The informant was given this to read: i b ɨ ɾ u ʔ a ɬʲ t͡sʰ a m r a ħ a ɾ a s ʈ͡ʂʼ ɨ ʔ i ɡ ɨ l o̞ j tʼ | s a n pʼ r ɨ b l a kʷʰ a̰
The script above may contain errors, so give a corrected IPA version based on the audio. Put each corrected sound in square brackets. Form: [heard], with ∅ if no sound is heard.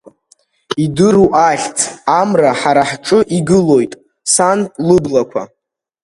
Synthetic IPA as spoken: i [d] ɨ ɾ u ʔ a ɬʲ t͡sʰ a m r a ħ a ɾ a [ħ] ʈ͡ʂʼ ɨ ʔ i ɡ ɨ l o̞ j tʼ | s a n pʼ [l] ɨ b l a kʷʰ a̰